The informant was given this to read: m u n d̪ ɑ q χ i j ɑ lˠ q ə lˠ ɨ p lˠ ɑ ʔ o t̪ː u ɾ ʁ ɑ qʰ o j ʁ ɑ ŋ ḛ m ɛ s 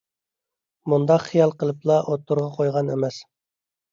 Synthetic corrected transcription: m u n d̪ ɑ q χ i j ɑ lˠ q ə lˠ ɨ p lˠ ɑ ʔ o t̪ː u ɾ ʁ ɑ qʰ o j ʁ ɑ n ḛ m ɛ s

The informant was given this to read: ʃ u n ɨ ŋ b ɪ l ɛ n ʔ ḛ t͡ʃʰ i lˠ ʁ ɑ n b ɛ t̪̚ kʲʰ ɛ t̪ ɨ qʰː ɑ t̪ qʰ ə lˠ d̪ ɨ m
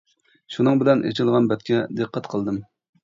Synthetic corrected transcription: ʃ u n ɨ ŋ b ɪ l ɛ n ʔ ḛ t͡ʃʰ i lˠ ʁ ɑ n b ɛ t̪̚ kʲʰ ɛ d̪ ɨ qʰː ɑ t̪ qʰ ə lˠ d̪ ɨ m

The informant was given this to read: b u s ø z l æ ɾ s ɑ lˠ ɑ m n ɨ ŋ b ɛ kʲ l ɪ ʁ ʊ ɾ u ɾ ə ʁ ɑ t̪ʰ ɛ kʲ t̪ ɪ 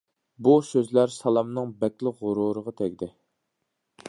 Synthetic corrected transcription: b u s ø z l æ ɾ s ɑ lˠ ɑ m n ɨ ŋ b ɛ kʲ l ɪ ʁ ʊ ɾ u ɾ ə ʁ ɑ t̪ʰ ɛ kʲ d̪ ɪ

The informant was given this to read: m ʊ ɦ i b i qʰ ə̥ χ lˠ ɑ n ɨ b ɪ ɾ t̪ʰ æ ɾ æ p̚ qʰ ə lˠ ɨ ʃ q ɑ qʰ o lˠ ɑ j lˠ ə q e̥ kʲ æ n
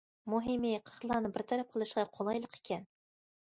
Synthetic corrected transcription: m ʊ ɦ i m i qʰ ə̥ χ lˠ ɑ n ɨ b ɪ ɾ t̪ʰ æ ɾ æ p̚ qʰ ə lˠ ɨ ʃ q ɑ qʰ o lˠ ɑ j lˠ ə q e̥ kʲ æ n

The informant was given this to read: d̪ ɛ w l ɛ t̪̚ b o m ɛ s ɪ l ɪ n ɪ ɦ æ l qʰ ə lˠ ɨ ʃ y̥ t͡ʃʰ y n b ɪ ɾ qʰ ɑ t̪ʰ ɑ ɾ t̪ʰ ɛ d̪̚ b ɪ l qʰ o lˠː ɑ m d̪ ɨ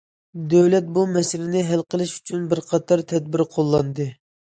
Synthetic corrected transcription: d̪ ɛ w l ɛ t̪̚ b u m ɛ s ɪ l ɪ n ɪ ɦ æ l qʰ ə lˠ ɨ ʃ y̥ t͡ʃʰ y n b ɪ ɾ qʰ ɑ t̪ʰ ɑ ɾ t̪ʰ ɛ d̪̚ b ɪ ɾ qʰ o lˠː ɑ n d̪ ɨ

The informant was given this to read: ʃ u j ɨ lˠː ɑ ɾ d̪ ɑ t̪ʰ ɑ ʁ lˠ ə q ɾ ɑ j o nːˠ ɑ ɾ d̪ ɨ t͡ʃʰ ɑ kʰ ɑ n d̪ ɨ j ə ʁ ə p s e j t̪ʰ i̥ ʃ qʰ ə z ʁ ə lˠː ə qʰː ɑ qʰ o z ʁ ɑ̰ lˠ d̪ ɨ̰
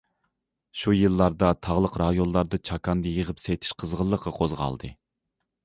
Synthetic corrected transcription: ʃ u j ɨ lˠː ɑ ɾ d̪ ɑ t̪ʰ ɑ ʁ lˠ ə q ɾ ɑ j o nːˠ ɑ ɾ d̪ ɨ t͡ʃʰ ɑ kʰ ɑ n d̪ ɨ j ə ʁ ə p s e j t̪ʰ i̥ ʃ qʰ ə z ʁ ə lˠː ə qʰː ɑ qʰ o z ʁ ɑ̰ lˠ d̪ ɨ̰

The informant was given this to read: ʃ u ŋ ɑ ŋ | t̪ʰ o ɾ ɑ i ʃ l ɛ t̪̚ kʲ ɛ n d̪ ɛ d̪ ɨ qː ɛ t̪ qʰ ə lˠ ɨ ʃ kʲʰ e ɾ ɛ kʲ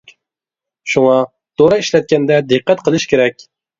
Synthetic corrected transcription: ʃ u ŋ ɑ | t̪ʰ o ɾ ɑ i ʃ l ɛ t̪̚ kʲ ɛ n d̪ ɛ d̪ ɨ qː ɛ t̪ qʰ ə lˠ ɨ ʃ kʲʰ e ɾ ɛ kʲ

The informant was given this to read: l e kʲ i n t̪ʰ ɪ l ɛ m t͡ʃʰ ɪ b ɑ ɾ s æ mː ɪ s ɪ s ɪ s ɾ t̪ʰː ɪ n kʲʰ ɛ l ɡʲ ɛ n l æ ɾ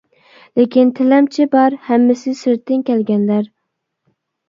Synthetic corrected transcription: l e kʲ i n t̪ʰ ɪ l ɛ m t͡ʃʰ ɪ b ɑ ɾ h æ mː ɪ s ɪ s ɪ ɾ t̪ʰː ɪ n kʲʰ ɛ l ɡʲ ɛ n l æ ɾ

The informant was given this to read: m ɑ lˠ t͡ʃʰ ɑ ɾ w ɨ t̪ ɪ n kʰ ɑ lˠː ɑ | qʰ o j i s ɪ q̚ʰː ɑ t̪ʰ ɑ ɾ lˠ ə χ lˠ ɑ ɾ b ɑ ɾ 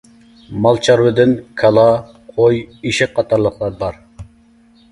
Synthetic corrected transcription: m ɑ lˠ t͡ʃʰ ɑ ɾ w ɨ d̪ ɪ n kʰ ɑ lˠ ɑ | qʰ o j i ʃ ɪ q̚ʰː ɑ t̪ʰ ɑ ɾ lˠ ə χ lˠ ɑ ɾ b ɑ ɾ

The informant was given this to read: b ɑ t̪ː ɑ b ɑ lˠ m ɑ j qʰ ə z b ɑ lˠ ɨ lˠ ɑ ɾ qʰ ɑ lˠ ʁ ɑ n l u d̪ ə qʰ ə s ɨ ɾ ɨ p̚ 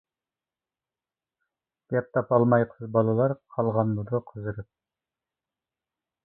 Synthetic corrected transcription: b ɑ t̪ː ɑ p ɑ lˠ m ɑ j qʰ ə z b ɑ lˠ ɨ lˠ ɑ ɾ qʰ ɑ lˠ ʁ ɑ n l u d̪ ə qʰ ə z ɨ ɾ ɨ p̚

